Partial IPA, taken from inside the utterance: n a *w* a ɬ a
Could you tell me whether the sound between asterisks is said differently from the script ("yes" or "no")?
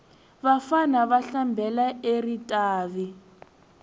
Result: yes